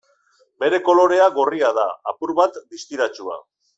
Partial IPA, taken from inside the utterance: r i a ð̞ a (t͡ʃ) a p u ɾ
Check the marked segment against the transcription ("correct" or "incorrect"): incorrect